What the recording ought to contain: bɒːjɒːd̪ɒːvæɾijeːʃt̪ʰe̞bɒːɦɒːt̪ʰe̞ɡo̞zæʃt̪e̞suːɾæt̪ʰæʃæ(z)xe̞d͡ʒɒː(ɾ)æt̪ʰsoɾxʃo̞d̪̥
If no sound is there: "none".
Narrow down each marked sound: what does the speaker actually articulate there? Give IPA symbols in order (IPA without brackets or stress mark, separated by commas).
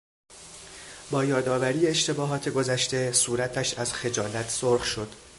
z, l